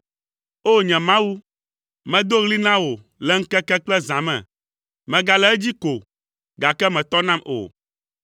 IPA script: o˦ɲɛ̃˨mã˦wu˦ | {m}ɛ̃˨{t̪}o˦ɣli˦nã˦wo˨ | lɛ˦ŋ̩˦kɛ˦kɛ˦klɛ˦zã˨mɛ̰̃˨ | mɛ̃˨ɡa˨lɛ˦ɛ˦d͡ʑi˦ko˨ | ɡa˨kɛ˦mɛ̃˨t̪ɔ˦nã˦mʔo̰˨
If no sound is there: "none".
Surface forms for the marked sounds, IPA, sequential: m, d̪

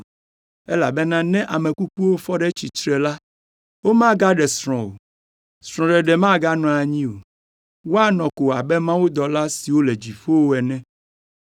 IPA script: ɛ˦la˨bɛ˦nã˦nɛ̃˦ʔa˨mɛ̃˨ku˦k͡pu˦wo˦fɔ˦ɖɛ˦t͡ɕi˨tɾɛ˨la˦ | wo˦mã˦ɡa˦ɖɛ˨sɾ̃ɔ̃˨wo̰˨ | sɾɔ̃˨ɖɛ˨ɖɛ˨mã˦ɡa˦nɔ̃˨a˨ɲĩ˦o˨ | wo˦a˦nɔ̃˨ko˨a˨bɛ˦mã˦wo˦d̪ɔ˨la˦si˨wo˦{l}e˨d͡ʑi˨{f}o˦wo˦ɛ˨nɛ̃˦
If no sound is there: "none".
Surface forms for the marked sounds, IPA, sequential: l, f

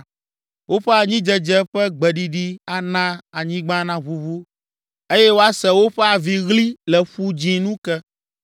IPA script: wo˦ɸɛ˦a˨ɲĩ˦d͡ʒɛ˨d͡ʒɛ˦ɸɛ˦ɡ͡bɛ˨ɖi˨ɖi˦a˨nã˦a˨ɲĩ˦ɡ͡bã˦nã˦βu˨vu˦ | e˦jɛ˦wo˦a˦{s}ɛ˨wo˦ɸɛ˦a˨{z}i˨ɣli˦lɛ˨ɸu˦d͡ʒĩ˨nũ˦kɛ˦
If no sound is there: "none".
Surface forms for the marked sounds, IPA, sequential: s, v

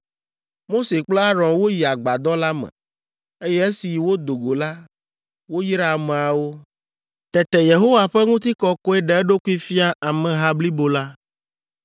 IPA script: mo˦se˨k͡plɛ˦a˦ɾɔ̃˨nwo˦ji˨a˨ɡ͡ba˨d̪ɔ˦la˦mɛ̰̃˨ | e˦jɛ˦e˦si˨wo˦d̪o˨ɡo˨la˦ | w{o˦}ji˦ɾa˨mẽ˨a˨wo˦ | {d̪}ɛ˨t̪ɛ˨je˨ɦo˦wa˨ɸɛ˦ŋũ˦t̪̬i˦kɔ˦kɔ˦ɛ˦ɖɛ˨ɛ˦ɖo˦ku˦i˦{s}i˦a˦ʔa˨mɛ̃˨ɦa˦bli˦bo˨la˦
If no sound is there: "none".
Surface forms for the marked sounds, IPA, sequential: o˦, t̪, f

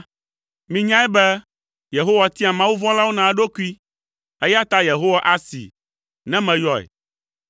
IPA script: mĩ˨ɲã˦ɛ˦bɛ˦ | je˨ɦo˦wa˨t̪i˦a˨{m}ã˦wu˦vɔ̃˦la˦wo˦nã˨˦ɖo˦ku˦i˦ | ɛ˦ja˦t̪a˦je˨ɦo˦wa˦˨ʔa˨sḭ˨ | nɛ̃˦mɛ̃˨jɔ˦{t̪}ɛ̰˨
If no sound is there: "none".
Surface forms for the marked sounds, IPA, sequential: m, none

